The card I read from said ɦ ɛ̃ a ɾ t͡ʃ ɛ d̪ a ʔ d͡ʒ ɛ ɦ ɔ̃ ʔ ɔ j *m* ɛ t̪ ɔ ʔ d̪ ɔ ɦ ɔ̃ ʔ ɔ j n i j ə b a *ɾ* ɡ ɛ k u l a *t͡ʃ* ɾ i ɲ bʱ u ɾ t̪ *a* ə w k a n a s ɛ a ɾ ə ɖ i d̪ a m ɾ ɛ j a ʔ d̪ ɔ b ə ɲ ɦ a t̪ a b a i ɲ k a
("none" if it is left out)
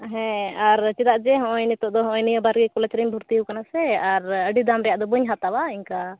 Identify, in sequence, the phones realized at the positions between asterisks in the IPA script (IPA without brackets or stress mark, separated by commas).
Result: n, ɾ, t͡ʃ, i